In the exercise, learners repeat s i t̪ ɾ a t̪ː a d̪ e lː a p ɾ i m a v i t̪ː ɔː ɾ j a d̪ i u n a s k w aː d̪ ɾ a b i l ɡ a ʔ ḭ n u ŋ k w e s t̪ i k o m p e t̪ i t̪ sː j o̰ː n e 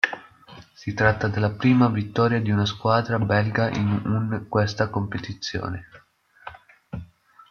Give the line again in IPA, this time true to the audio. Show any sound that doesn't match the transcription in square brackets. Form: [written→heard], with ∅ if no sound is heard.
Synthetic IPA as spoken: s i t̪ ɾ a t̪ː a d̪ e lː a p ɾ [i→iː] m a v i t̪ː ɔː ɾ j a d̪ i u n a s k w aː d̪ ɾ a b [i→ɛ] l ɡ a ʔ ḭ n u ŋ k w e s t̪ [i→a] k o m p e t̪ i t̪ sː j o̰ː n e